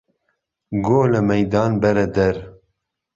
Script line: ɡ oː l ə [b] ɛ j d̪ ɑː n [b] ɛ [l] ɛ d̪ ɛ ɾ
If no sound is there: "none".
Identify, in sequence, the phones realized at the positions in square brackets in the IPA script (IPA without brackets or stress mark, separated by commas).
m, b, ɾ